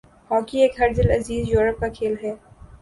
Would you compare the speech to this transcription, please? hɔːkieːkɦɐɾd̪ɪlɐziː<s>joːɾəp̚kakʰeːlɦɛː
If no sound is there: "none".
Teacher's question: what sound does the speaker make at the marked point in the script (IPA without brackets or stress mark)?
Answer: z